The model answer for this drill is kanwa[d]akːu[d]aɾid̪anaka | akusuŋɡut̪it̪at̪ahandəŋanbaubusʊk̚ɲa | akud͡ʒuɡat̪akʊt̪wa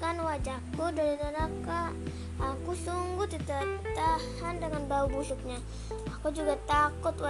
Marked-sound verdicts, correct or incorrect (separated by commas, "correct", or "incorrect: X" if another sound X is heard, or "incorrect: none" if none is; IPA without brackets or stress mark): incorrect: d͡ʒ, correct